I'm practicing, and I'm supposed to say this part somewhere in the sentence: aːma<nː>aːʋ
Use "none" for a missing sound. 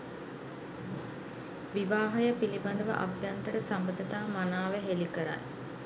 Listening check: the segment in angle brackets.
n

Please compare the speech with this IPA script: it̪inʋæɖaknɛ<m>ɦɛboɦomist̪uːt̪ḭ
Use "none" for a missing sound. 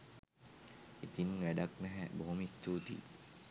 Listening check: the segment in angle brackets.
none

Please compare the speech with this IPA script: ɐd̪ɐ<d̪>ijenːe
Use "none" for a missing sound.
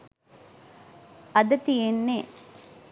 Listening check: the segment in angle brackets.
t̪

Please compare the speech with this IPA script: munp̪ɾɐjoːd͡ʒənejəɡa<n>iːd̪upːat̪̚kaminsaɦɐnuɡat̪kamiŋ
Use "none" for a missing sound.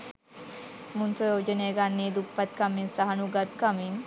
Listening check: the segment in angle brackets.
nː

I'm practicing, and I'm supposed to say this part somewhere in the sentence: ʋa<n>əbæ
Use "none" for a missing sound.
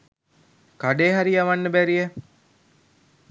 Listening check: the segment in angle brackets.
nː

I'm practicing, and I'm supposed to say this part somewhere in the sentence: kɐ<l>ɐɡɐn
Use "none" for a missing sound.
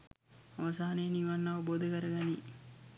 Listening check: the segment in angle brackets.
ɾ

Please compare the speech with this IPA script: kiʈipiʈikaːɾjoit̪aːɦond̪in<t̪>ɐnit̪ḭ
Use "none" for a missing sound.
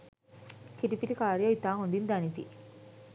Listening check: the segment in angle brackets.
d̪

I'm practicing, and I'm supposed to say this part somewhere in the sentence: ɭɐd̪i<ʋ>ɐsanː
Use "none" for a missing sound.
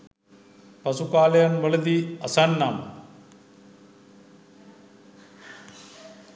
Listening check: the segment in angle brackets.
none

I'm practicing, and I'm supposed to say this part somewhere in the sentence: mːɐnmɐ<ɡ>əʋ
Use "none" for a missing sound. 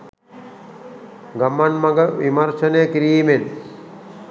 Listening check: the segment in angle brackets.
ɡ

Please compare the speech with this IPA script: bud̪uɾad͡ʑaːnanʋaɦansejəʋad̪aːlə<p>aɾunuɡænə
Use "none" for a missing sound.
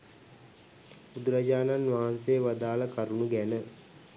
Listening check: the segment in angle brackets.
k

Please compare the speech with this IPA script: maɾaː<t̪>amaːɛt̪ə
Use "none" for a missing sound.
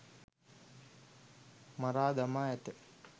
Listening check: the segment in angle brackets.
d̪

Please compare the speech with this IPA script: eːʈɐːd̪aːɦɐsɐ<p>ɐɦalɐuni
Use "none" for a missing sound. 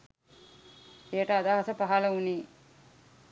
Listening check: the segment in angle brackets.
p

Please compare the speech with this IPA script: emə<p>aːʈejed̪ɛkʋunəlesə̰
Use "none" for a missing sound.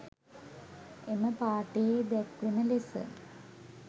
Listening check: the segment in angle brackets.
p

